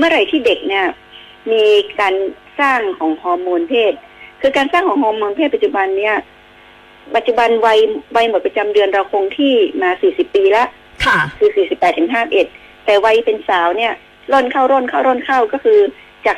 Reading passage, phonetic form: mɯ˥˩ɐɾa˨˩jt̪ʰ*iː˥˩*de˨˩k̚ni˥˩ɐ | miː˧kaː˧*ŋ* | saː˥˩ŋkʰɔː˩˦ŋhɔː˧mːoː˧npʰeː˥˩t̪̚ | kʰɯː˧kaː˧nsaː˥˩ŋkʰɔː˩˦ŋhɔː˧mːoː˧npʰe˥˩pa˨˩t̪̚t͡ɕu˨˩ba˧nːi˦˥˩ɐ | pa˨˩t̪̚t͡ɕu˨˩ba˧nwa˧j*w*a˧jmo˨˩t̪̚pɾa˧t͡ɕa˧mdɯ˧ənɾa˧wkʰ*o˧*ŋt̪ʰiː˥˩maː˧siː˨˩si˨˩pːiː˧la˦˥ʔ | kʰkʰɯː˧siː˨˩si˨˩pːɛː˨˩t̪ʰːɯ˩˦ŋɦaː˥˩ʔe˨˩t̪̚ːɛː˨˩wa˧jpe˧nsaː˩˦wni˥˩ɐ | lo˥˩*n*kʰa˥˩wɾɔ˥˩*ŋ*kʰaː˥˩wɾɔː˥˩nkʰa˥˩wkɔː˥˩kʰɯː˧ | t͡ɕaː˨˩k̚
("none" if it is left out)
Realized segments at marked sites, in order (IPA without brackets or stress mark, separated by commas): iː˥˩, n, w, o˧, n, n